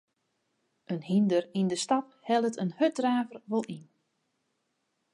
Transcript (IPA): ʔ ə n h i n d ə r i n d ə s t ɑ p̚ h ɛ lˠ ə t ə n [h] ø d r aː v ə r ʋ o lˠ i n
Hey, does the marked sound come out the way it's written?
yes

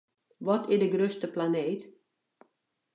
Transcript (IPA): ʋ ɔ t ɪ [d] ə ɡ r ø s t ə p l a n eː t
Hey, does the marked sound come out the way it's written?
yes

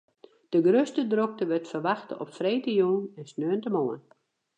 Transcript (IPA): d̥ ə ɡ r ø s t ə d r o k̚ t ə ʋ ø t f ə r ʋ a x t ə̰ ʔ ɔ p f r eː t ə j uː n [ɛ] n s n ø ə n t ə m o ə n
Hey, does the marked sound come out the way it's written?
yes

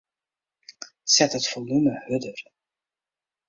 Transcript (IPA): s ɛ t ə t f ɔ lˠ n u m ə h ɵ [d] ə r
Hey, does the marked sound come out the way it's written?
yes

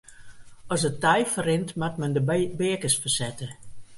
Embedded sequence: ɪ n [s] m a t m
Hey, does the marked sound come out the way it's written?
no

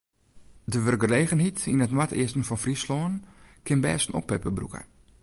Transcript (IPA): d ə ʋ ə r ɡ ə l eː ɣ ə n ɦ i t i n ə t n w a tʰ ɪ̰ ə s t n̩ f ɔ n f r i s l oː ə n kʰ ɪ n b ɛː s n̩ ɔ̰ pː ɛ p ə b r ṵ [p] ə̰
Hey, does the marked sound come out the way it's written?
no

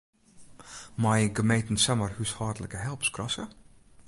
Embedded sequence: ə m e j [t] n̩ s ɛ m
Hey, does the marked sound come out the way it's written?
yes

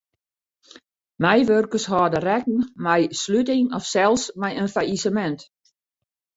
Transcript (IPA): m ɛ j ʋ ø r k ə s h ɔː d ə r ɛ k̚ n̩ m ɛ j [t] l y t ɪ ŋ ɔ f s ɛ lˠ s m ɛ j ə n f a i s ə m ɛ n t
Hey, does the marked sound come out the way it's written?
no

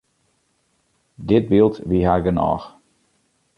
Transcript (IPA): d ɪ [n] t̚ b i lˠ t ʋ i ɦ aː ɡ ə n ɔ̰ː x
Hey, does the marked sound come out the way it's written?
no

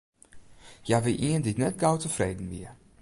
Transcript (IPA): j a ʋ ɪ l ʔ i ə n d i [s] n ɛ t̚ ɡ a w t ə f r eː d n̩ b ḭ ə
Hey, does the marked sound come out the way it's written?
no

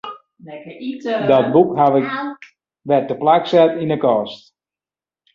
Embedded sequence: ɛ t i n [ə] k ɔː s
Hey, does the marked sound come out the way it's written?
yes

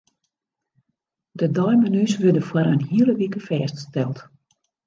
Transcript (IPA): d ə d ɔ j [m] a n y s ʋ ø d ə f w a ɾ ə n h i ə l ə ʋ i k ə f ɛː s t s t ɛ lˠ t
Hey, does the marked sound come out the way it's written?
yes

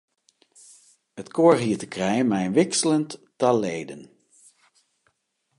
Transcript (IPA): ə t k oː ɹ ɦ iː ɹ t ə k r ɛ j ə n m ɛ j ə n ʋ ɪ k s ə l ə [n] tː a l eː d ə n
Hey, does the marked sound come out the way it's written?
yes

